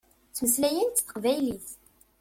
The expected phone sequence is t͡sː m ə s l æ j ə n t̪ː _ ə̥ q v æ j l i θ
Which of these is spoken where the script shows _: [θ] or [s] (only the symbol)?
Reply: θ